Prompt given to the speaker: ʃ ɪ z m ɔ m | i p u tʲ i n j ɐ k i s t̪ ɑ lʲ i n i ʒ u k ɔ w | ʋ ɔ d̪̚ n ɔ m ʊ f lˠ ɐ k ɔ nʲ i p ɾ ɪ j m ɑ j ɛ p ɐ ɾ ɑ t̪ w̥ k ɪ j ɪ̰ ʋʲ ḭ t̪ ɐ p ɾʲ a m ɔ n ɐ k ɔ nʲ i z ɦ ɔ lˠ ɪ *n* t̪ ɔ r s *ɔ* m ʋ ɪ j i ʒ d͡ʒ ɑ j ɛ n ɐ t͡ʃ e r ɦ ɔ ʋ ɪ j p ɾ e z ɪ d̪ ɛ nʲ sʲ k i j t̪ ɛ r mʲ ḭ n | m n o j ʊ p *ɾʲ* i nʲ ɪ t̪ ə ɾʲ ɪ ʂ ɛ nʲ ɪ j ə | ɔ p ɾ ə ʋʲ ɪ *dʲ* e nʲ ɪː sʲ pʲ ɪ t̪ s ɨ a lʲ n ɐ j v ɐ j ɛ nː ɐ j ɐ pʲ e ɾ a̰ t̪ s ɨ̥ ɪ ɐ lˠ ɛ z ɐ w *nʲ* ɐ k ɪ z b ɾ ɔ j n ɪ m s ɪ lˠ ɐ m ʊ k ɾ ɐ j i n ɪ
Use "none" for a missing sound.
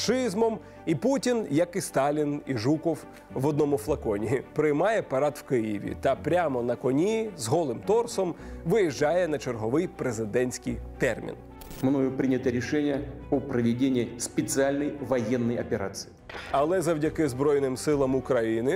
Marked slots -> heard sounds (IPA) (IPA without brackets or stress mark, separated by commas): m, ɔ, ɾʲ, dʲ, dʲ